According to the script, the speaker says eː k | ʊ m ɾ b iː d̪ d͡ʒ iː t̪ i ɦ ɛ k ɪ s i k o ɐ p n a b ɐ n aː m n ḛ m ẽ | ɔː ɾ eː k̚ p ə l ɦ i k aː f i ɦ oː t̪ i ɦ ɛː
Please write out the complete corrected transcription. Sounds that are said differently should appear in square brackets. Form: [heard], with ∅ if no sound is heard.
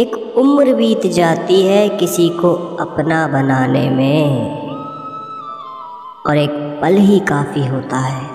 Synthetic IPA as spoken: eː k | ʊ m ɾ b iː [t̪] d͡ʒ [aː] t̪ i ɦ ɛ k ɪ s i k o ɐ p n a b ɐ n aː [∅] n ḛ m ẽ | ɔː ɾ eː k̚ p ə l ɦ i k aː f i ɦ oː t̪ [a] ɦ ɛː